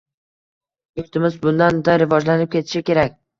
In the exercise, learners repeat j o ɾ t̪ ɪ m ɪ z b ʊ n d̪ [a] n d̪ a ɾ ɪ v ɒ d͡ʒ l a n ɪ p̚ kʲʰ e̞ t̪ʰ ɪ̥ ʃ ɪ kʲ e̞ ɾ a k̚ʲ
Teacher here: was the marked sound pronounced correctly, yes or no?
yes